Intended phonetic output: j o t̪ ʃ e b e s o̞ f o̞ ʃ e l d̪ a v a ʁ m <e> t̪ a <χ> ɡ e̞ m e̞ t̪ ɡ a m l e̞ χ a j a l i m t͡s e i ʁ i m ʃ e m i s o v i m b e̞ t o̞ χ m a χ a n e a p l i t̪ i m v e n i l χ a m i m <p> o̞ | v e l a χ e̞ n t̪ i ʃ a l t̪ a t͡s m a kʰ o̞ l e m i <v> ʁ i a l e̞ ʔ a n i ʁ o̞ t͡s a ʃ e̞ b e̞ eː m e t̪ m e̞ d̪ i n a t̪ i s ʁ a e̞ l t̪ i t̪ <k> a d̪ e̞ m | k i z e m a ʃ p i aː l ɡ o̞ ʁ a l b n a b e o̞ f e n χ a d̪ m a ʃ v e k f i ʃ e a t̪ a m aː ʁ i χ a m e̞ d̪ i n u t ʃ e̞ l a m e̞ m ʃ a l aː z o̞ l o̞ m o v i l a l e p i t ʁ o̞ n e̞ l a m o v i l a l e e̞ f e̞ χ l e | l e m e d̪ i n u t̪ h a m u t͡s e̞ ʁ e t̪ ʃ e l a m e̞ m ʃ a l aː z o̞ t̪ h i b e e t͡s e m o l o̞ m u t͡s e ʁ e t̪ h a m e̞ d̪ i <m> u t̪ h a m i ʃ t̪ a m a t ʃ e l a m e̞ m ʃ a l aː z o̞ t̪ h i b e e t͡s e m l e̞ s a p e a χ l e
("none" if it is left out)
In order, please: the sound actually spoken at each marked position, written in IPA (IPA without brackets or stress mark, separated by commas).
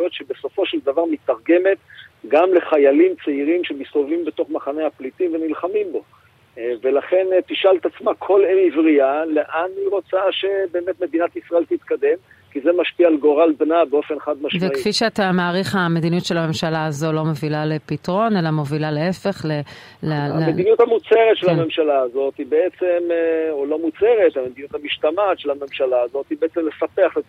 i, ʁ, b, v, k, n